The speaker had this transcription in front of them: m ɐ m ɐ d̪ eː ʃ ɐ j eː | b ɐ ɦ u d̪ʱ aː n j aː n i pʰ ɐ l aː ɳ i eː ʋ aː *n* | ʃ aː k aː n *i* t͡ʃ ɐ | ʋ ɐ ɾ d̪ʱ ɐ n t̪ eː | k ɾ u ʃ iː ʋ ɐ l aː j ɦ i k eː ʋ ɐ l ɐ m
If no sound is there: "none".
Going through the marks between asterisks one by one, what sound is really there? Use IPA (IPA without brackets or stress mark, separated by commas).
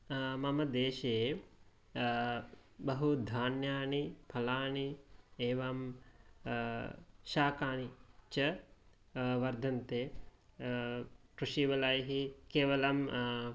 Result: m, i